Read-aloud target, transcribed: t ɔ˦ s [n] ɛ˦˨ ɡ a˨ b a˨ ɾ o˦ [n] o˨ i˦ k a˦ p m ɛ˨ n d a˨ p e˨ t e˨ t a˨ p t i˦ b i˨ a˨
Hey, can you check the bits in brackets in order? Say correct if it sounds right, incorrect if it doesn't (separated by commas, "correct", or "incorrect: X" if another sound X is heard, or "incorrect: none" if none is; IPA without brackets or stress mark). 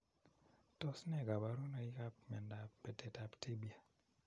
correct, correct